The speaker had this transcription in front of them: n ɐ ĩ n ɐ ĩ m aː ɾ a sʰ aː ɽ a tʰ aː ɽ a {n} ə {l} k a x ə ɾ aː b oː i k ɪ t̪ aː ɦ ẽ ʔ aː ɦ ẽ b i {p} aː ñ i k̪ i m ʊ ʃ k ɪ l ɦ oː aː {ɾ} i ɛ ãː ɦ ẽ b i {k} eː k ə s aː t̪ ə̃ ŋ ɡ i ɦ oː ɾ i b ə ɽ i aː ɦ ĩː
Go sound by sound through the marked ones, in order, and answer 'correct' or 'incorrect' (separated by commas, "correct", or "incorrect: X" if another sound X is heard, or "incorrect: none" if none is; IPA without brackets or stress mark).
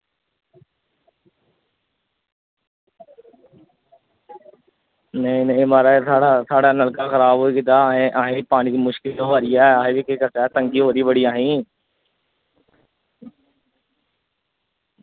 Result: correct, correct, correct, correct, correct